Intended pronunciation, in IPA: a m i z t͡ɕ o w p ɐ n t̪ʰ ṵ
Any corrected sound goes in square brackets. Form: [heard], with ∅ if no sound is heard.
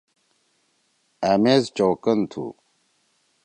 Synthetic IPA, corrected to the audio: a m [e] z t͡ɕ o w [k] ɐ n t̪ʰ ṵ